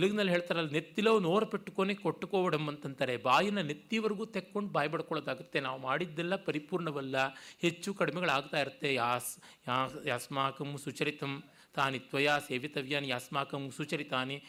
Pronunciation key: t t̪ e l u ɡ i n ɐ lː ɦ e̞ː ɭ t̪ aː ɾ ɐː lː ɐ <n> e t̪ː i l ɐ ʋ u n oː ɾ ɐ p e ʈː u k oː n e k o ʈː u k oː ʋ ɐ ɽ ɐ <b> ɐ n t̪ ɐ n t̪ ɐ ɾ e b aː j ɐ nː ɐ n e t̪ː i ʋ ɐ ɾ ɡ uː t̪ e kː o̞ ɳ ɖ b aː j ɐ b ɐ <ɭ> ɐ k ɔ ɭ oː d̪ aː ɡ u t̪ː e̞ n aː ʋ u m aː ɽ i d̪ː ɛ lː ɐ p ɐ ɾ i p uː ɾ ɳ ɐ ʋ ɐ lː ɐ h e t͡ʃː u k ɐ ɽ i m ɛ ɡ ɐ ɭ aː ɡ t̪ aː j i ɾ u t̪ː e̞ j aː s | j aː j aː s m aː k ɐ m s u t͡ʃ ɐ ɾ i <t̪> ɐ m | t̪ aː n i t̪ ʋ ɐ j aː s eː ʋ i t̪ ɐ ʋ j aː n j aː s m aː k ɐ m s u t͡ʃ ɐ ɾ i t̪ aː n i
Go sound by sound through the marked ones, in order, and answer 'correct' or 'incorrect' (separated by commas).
correct, incorrect, incorrect, correct